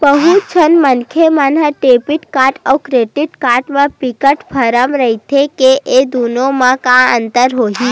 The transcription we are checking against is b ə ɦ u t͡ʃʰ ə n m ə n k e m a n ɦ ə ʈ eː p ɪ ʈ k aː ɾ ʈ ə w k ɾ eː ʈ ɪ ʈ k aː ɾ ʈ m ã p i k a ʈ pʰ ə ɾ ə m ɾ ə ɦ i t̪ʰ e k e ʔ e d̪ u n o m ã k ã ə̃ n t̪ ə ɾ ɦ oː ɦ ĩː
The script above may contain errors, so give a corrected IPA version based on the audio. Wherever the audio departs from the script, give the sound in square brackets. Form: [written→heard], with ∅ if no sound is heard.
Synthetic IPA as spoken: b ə ɦ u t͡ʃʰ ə n m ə n [k→kʰ] e m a n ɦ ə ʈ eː p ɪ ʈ k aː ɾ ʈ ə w k ɾ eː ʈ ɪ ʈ k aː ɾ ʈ m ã p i k [a→ə] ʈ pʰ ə ɾ ə m ɾ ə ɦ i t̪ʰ e k e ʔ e d̪ u n o m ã k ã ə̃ n t̪ ə ɾ ɦ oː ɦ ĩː